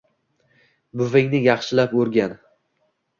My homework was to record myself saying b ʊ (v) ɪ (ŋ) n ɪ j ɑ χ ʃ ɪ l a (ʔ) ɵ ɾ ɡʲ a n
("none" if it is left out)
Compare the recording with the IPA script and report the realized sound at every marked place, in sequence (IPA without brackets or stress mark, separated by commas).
v, ŋ, p